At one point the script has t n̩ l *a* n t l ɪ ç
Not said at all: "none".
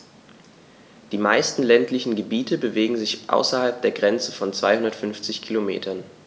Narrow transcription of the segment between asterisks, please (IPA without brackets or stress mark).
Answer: ɛ